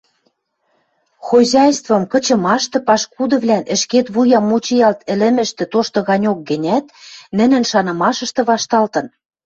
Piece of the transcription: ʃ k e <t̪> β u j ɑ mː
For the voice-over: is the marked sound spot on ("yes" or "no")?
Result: yes